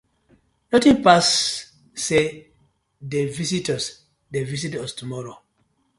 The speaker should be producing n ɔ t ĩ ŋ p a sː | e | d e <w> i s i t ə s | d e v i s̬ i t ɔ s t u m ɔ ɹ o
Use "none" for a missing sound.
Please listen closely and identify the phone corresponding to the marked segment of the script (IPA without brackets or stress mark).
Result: v